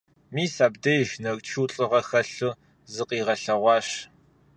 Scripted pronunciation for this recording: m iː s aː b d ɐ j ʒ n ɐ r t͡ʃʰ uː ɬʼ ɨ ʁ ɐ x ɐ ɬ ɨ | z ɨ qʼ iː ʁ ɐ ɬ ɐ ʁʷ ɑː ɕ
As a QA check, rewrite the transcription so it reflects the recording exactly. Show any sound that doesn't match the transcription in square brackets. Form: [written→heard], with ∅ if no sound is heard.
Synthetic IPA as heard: m iː s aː b d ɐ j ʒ n ɐ r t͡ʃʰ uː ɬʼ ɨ ʁ ɐ x ɐ ɬ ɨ | z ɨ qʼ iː ʁ ɐ ɬ ɐ ʁʷ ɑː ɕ